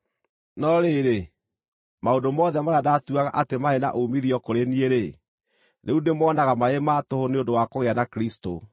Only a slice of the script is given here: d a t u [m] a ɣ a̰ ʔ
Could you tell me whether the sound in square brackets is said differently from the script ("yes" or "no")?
yes